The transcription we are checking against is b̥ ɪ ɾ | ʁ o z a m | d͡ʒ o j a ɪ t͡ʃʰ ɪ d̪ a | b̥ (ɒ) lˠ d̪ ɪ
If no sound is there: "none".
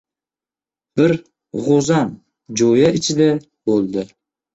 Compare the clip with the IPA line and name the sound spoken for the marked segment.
o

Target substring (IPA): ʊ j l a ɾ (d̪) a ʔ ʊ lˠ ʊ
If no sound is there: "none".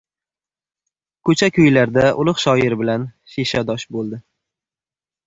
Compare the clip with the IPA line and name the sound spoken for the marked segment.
d̪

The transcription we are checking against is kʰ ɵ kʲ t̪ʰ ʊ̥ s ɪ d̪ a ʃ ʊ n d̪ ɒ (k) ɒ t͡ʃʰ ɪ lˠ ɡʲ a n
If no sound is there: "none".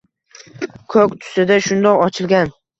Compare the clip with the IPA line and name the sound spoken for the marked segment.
q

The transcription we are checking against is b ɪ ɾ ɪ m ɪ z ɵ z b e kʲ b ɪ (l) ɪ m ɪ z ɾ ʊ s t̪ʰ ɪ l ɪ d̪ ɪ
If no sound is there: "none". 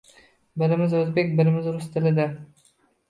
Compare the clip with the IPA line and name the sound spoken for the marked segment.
ɾ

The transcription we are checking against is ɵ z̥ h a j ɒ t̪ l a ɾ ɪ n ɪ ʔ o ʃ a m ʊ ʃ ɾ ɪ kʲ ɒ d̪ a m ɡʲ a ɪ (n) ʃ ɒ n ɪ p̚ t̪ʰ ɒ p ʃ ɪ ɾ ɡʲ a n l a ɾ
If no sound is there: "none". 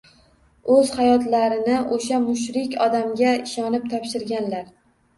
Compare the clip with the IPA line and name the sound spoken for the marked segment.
none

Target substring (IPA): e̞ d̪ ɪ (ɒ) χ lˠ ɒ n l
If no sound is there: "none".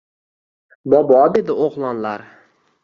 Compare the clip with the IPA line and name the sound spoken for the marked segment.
o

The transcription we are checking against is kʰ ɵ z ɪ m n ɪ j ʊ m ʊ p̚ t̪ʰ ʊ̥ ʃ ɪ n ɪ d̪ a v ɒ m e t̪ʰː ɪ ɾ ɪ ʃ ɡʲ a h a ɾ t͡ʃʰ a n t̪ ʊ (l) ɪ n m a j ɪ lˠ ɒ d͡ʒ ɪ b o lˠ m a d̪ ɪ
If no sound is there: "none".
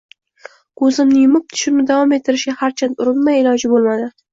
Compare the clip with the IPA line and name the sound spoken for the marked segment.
ɾ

